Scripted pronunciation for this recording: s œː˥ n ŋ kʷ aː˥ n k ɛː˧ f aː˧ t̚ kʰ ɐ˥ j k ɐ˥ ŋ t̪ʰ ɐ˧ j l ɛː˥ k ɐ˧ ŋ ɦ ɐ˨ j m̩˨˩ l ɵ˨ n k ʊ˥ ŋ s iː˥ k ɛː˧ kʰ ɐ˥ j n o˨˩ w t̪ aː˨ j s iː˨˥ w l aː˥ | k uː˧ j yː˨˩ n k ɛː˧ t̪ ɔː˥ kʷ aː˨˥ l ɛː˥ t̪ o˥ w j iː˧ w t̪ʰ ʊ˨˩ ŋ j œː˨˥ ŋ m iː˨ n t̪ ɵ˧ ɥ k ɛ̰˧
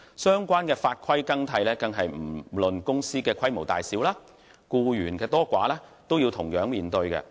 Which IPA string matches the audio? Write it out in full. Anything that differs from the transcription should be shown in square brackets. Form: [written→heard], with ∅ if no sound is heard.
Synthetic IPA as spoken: s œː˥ [n→∅] ŋ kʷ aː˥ n k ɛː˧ f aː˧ t̚ kʰ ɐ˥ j k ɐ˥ ŋ t̪ʰ ɐ˧ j l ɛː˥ k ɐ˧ ŋ ɦ ɐ˨ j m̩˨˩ l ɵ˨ n k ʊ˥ ŋ s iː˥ k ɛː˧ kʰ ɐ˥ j [n→m] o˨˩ w t̪ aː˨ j s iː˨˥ w l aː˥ | k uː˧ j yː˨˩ n k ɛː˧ t̪ ɔː˥ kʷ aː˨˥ l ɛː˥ t̪ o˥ w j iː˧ w t̪ʰ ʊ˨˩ ŋ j œː˨˥ ŋ m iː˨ n t̪ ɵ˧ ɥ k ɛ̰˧